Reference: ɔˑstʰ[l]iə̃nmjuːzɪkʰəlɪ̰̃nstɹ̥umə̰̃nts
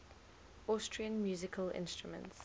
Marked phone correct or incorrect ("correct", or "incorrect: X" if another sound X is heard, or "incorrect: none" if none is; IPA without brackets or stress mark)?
incorrect: ɹ